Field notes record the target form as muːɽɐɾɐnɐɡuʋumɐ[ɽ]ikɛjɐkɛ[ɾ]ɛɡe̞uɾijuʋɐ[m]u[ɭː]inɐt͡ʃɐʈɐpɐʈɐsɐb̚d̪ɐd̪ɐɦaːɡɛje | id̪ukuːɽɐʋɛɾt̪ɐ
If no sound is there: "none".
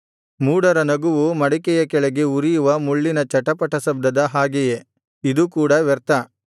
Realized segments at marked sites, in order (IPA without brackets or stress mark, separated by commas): ɽ, ɭ, m, ɭː